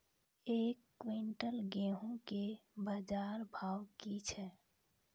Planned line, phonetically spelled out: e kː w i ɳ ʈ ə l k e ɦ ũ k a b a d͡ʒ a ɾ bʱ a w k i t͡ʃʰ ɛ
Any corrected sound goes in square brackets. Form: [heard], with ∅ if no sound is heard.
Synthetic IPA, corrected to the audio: e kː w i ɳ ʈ ə l [ɡ] e ɦ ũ k [e] b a d͡ʒ a ɾ bʱ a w k i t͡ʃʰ ɛ